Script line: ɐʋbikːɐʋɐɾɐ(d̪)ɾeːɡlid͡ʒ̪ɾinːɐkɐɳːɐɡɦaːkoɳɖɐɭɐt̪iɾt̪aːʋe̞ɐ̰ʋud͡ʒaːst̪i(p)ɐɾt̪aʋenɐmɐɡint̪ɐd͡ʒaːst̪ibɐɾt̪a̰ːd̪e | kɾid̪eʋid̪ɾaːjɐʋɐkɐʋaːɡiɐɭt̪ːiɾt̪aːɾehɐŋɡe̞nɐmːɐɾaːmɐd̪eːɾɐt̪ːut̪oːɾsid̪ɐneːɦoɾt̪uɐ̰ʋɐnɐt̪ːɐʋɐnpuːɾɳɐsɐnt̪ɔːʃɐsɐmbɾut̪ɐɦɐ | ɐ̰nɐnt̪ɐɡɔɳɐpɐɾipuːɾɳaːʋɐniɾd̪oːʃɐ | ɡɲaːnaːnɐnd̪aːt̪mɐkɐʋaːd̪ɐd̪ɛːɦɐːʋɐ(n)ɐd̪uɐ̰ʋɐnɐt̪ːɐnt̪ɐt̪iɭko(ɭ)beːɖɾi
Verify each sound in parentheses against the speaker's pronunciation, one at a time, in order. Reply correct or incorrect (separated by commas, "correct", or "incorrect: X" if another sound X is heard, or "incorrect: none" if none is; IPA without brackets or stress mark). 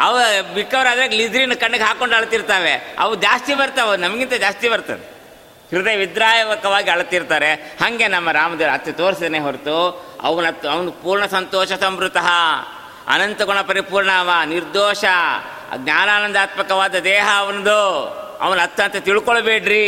correct, incorrect: b, correct, correct